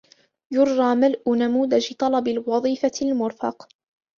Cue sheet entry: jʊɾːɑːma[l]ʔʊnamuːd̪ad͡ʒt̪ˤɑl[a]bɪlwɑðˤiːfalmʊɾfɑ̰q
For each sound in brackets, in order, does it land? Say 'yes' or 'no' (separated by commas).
yes, no